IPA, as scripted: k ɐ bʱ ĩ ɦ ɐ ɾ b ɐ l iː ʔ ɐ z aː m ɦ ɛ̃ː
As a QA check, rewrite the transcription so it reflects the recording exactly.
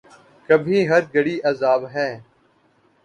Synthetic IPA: k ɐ bʱ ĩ ɦ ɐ ɾ ɡ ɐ ɽ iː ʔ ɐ z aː b ɦ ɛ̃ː